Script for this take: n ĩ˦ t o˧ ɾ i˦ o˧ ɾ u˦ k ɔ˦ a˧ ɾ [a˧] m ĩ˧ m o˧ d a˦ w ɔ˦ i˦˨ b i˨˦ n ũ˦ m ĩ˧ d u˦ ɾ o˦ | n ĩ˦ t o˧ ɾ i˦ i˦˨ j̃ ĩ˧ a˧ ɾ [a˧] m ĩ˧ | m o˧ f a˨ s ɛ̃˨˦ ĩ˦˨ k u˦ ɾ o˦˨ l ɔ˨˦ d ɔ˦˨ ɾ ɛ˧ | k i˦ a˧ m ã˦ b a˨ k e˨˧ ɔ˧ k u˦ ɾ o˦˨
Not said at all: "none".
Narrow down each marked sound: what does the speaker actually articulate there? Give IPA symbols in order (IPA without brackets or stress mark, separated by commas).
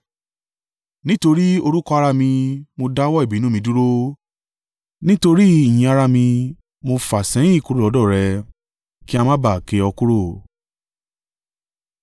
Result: a˧, a˧